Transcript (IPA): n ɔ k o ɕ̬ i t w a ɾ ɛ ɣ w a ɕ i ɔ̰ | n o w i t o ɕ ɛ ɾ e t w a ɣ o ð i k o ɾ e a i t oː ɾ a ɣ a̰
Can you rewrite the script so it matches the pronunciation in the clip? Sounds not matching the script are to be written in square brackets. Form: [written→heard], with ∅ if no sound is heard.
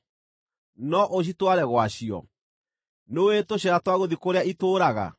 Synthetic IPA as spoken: n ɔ [k→ʔ] o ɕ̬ i t w a ɾ ɛ ɣ w a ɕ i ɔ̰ | n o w [i→e] t o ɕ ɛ ɾ [e→a] t w a ɣ o ð i k o ɾ e a i t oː ɾ a ɣ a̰